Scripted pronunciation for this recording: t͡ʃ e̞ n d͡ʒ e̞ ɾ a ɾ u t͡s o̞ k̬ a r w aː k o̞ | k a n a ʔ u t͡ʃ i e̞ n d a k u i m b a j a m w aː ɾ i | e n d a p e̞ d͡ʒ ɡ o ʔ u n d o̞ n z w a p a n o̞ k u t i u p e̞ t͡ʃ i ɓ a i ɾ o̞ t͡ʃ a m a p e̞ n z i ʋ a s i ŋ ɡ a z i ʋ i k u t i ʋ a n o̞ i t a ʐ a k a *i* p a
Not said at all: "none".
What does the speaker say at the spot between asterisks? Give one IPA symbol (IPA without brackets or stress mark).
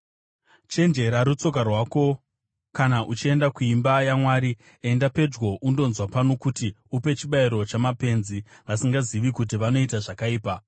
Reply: iː